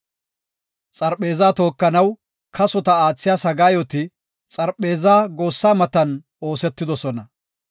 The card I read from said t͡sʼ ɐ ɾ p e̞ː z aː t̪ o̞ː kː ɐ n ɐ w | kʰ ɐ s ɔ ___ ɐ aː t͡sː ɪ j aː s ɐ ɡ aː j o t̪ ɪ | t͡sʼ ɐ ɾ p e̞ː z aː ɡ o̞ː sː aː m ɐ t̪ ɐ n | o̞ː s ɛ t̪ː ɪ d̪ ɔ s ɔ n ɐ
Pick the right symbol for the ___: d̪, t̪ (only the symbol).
t̪